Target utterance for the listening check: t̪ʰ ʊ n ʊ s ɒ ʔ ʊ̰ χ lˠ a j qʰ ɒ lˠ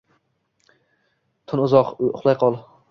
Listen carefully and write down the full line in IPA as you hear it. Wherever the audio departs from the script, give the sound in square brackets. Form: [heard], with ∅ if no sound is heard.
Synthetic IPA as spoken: t̪ʰ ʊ n ʊ [z] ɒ [q] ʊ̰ χ lˠ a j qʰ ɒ lˠ